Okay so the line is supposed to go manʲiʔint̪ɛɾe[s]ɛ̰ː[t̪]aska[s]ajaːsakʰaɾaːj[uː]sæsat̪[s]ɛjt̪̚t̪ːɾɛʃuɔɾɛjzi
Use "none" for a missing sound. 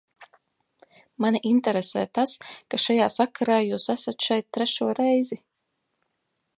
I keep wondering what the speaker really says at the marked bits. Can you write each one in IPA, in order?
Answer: s, t̪, ʃ, uː, ʃ

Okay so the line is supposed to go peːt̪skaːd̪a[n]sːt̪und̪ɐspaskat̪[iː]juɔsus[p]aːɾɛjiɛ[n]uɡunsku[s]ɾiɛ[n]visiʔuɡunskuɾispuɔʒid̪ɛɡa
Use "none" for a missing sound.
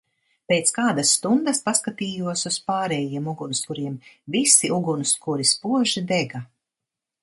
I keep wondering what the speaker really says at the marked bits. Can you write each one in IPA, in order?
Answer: none, iː, p, m, none, m

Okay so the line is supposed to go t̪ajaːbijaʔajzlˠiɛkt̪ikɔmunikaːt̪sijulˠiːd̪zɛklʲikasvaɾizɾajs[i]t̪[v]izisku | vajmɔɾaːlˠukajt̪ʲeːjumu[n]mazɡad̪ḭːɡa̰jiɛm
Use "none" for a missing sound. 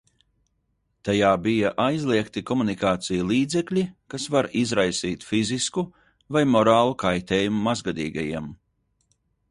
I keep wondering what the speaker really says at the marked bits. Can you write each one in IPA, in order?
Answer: iː, f, none

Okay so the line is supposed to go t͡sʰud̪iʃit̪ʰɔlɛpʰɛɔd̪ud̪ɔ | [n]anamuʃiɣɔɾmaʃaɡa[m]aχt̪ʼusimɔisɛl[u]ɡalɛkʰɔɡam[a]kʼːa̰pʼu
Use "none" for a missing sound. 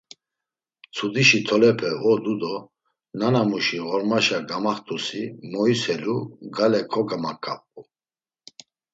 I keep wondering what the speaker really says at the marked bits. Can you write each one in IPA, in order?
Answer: n, m, u, a

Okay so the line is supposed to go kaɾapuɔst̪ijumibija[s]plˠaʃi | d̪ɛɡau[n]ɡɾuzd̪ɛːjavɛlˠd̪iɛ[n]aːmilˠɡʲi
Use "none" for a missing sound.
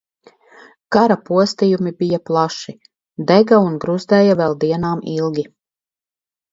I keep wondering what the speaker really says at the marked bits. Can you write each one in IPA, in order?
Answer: none, n, n

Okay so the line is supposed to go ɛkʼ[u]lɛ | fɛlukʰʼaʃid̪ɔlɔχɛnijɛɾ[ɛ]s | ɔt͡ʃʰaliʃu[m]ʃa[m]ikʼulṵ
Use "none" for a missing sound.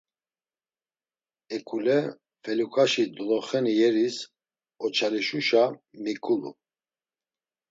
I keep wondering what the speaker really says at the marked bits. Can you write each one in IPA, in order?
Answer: u, i, none, m

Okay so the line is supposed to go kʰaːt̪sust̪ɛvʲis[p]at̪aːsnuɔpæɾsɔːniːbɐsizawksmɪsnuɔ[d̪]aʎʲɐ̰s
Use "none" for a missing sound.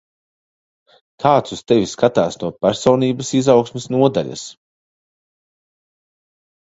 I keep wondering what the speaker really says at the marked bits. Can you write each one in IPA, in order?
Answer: k, d̪

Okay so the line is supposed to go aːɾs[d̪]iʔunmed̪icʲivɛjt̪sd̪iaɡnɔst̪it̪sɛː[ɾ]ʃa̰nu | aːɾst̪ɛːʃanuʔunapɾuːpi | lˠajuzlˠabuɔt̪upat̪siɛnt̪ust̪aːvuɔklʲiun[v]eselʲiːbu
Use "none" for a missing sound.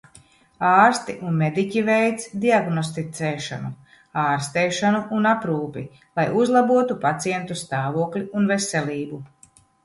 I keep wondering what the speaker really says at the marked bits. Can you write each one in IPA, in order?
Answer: t̪, none, v

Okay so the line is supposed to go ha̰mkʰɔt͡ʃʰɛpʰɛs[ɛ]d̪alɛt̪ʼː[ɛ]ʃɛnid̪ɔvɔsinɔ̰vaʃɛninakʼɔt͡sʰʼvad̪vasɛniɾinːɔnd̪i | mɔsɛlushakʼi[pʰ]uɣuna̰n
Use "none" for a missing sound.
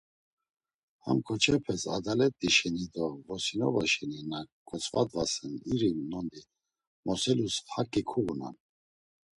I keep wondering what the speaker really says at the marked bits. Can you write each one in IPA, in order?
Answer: a, i, kʰ

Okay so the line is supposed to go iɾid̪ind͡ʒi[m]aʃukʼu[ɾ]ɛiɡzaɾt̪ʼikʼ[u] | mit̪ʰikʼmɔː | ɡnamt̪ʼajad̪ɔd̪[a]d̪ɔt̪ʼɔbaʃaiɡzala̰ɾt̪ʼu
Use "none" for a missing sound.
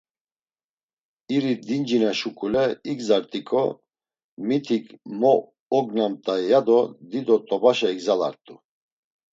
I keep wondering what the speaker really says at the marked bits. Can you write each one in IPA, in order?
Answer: n, l, ɔ, i

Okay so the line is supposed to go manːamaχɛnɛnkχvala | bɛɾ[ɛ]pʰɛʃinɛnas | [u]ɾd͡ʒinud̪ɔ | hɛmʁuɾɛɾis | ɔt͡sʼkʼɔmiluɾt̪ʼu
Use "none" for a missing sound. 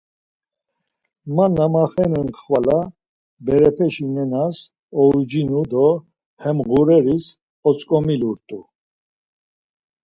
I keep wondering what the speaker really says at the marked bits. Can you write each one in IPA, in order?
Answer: ɛ, ɔ

